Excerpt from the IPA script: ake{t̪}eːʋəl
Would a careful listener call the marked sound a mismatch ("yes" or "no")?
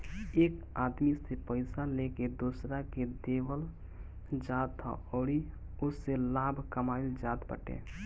yes